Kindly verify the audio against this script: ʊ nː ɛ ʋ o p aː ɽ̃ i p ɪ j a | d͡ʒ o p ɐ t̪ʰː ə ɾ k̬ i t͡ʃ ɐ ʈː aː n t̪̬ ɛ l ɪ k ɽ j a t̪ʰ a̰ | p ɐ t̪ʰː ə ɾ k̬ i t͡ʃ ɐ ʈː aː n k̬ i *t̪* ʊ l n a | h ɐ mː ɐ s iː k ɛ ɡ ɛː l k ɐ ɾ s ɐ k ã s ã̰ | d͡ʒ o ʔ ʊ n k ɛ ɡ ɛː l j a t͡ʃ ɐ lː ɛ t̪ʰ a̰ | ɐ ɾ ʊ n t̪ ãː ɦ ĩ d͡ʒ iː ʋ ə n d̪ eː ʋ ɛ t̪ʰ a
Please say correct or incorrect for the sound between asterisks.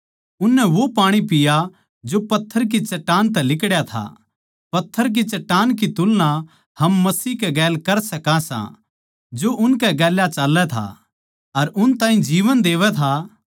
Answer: correct